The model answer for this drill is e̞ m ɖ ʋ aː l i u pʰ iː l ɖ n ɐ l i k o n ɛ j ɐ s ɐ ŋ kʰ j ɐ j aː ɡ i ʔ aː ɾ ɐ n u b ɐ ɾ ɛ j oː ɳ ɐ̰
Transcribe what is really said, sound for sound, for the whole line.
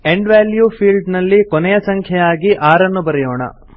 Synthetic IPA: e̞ ɳ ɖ ʋ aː l j u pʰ iː l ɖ n ɐ lː i k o n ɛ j ɐ s ɐ ŋ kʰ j ɐ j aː ɡ i ʔ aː ɾ ɐ nː u b ɐ ɾ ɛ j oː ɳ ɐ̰